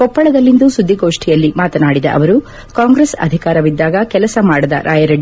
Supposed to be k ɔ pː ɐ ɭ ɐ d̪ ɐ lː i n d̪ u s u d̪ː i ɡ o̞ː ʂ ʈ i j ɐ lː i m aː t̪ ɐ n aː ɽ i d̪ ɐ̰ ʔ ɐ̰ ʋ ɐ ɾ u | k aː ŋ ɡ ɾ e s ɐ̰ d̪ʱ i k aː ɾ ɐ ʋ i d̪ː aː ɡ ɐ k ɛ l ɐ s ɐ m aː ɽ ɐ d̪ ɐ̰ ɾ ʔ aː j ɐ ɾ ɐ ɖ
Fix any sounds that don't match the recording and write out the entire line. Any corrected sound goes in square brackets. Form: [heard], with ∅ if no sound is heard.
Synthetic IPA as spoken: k ɔ pː ɐ ɭ ɐ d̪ ɐ lː i n d̪ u s u d̪ː i ɡ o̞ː ʂ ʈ i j ɐ lː i m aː t̪ ɐ n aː ɽ i d̪ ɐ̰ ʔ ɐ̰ ʋ ɐ ɾ u | k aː ŋ ɡ ɾ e s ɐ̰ d̪ʱ i k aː ɾ ɐ ʋ i d̪ː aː ɡ ɐ k ɛ l ɐ s ɐ m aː ɽ ɐ d̪ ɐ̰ ɾ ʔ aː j ɐ ɾ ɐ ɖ